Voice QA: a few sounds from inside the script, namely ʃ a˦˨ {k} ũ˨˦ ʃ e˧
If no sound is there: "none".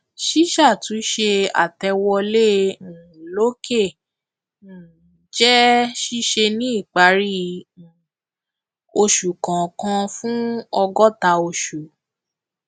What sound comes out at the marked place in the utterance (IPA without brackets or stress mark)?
t